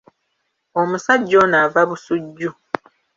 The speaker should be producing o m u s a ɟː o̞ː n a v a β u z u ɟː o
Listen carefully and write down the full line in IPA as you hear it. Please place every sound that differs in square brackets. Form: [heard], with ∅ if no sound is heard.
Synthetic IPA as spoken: o m u s a ɟː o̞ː n a v a β u [s] u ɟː [u]